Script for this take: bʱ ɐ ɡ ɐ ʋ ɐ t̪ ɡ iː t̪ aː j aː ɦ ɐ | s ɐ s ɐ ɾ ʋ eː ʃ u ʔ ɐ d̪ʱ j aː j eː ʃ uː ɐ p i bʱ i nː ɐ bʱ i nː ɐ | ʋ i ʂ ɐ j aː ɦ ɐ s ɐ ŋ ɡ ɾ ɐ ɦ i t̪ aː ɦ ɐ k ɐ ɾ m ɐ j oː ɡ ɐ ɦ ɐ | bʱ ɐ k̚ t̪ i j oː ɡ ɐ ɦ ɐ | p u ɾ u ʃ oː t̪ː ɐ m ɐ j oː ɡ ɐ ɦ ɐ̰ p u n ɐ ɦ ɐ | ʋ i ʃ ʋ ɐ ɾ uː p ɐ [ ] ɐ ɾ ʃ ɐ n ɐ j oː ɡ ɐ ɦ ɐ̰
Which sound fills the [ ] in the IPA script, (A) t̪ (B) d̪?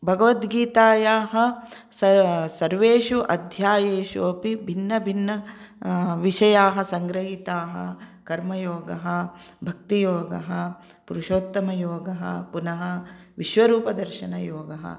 B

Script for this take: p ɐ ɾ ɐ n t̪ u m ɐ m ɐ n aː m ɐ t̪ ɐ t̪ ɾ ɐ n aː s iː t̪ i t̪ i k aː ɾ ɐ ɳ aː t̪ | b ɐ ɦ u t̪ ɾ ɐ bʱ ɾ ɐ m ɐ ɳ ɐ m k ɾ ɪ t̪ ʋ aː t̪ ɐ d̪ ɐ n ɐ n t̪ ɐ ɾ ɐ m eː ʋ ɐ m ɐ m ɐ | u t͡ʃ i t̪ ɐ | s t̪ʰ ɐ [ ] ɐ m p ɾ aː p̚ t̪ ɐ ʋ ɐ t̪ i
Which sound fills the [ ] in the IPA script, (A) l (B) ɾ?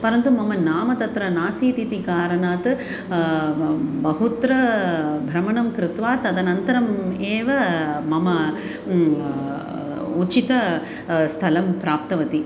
A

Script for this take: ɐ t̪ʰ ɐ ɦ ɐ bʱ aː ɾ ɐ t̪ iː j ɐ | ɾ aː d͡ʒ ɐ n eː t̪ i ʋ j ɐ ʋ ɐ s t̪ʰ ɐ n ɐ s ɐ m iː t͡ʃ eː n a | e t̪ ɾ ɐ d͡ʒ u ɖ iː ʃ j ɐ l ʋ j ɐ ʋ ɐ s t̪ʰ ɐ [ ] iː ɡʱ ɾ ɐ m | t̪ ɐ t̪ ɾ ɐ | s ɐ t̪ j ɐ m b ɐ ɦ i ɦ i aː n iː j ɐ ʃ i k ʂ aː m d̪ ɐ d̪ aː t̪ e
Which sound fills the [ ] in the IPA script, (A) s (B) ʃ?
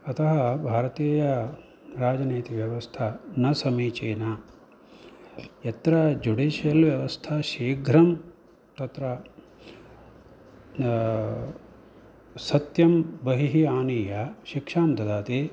B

